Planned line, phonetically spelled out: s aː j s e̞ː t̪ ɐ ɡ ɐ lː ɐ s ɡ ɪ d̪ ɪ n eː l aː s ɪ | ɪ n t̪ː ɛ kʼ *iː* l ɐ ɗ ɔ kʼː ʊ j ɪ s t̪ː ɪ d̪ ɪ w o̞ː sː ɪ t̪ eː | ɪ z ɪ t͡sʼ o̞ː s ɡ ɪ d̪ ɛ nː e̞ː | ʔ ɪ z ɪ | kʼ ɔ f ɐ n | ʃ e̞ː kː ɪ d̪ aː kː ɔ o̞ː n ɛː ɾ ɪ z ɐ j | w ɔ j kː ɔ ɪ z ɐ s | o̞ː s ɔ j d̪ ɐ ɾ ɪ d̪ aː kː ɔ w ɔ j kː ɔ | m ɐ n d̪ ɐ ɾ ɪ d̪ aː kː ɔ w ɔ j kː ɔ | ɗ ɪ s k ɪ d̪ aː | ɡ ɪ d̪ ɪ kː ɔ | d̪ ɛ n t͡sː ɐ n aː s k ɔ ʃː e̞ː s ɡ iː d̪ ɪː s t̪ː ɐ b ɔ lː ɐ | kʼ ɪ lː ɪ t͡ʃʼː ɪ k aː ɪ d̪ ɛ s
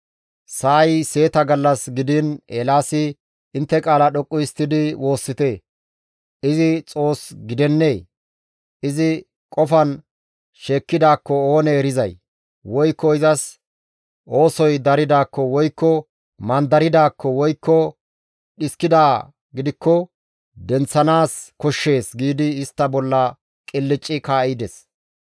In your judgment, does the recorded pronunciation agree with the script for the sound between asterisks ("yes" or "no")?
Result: no